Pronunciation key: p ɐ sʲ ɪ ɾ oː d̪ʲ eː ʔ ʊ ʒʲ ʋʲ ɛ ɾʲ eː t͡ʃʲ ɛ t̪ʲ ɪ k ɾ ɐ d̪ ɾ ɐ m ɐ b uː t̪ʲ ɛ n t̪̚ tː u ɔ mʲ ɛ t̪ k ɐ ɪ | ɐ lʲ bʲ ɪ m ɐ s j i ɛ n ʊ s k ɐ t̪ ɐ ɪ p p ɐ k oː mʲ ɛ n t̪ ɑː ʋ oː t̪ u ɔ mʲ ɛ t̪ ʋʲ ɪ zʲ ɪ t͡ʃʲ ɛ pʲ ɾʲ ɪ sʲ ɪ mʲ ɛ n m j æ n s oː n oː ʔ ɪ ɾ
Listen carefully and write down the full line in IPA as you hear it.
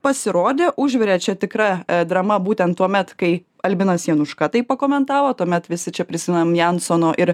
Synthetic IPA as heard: p ɐ sʲ ɪ ɾ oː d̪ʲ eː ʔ ʊ ʒʲ ʋʲ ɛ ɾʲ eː t͡ʃʲ ɛ t̪ʲ ɪ k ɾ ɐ d̪ ɾ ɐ m ɐ b uː t̪ʲ ɛ n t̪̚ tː u ɔ mʲ ɛ t̪ k ɐ ɪ | ɐ lʲ bʲ ɪ n ɐ s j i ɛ n ʊ ʃ k ɐ t̪ ɐ ɪ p p ɐ k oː mʲ ɛ n t̪ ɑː ʋ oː t̪ u ɔ mʲ ɛ t̪ ʋʲ ɪ sʲ ɪ t͡ʃʲ ɛ pʲ ɾʲ ɪ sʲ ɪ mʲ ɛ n m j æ n s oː n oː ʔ ɪ ɾ

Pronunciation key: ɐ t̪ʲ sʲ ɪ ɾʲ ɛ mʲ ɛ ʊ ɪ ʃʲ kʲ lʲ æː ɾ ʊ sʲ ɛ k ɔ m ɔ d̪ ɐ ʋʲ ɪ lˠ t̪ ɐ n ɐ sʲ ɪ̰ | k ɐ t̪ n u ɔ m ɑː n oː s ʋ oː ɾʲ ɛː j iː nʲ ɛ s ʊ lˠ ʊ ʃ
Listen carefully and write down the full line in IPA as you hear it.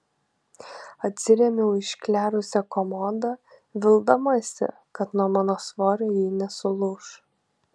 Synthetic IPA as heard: ɐ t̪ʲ sʲ ɪ ɾʲ ɛ mʲ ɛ ʊ ɪ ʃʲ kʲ lʲ æː ɾ ʊ sʲ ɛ k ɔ m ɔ d̪ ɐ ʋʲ ɪ lˠ d̪ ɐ m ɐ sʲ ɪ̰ | k ɐ t̪ n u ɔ m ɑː n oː s ʋ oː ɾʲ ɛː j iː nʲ ɛ s ʊ lˠ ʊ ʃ

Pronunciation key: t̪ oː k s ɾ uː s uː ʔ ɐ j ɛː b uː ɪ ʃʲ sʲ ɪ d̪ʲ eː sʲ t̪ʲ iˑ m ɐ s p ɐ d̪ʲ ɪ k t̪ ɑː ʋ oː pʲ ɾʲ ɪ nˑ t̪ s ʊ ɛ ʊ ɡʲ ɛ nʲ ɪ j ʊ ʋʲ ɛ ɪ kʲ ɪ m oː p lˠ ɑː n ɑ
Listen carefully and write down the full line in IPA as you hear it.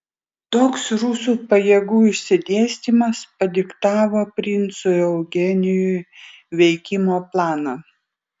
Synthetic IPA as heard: t̪ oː k s ɾ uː s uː p ɐ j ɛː ɡ uː ɪ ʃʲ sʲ ɪ d̪ʲ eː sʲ t̪ʲ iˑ m ɐ s p ɐ d̪ʲ ɪ k t̪ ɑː ʋ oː pʲ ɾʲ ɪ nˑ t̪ s ʊ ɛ ʊ ɡʲ ɛ nʲ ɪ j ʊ ʋʲ ɛ ɪ kʲ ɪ m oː p lˠ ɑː n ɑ

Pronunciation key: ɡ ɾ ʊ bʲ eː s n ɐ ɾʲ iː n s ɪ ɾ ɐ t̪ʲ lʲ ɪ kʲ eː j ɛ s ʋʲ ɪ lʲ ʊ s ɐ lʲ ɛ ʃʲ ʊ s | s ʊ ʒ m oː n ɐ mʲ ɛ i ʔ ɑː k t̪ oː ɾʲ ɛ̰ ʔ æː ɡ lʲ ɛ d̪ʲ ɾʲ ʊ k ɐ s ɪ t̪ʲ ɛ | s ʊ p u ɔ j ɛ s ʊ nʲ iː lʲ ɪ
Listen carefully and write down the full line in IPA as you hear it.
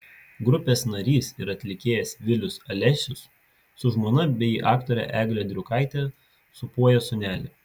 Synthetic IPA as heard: ɡ ɾ ʊ pʲ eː s n ɐ ɾʲ iː s ɪ ɾ ɐ t̪ʲ lʲ ɪ kʲ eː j ɛ s ʋʲ ɪ lʲ ʊ s ɐ lʲ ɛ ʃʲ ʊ s | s ʊ ʒ m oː n ɐ bʲ ɛ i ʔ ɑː k t̪ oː ɾʲ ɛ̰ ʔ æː ɡ lʲ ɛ d̪ʲ ɾʲ ʊ k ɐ ɪ t̪ʲ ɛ | s ʊ p u ɔ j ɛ s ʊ nʲ æː lʲ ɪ

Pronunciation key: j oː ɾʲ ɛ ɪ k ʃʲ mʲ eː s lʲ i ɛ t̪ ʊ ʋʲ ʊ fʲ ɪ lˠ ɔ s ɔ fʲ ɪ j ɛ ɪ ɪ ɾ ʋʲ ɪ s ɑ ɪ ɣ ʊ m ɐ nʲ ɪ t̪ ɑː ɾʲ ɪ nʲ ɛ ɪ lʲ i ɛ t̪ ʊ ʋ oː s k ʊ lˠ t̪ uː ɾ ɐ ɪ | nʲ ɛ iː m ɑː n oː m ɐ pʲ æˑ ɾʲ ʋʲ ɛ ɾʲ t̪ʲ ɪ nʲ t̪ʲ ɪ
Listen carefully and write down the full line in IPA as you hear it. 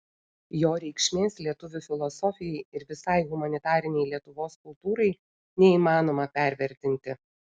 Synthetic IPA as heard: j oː ɾʲ ɛ ɪ k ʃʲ mʲ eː s lʲ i ɛ t̪ ʊ ʋʲ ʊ fʲ ɪ lˠ ɔ s ɔ fʲ ɪ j ɛ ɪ ɪ ɾ ʋʲ ɪ s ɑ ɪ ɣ ʊ m ɐ nʲ ɪ t̪ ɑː ɾʲ ɪ nʲ ɛ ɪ lʲ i ɛ t̪ ʊ ʋ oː s k ʊ lˠ t̪ uː ɾ ɐ ɪ | nʲ ɛ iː m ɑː n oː m ɐ pʲ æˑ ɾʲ ʋʲ ɛ ɾʲ t̪ʲ ɪ nʲ t̪ʲ ɪ

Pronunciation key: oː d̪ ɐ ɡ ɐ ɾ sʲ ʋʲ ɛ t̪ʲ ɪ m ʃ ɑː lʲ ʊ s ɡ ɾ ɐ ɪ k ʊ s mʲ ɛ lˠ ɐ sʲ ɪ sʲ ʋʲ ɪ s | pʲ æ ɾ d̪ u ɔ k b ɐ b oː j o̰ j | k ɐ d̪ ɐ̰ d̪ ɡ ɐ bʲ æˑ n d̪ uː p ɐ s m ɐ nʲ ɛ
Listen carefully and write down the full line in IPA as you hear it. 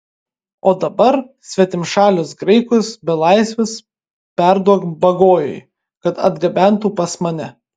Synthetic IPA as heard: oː d̪ ɐ b ɐ ɾ sʲ ʋʲ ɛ t̪ʲ ɪ m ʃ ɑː lʲ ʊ s ɡ ɾ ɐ ɪ k ʊ s bʲ ɛ lˠ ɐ ɪ sʲ ʋʲ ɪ s | pʲ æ ɾ d̪ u ɔ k b ɐ ɡ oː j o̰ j | k ɐ t̪ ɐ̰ d̪ ɡ ɐ bʲ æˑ n t̪ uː p ɐ s m ɐ nʲ ɛ

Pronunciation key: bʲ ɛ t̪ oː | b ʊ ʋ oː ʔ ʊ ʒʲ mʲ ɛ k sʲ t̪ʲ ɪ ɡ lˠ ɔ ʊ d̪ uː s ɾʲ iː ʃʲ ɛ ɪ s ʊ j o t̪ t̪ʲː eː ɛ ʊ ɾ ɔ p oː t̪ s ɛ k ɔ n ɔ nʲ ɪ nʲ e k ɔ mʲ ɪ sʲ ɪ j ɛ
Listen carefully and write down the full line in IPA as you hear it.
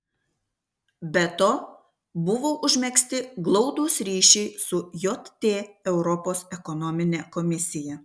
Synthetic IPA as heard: bʲ ɛ t̪ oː | b ʊ ʋ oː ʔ ʊ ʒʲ mʲ ɛ k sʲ t̪ʲ ɪ ɡ lˠ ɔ ʊ d̪ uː s ɾʲ iː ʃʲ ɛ ɪ s ʊ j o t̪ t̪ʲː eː ɛ ʊ ɾ ɔ p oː s ɛ k ɔ n ɔ mʲ ɪ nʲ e k ɔ mʲ ɪ sʲ ɪ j ɛ

